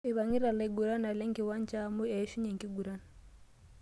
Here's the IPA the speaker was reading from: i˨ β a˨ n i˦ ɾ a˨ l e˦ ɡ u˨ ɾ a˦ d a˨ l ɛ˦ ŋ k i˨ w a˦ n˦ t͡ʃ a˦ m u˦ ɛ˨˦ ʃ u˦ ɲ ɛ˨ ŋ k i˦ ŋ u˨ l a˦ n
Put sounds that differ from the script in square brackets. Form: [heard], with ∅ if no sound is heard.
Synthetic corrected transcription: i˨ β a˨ [ŋ] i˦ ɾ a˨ l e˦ ɡ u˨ ɾ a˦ [n] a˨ l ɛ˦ ŋ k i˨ w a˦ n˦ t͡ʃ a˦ m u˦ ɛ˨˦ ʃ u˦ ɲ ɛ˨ ŋ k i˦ [ɡ] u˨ [ɾ] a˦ n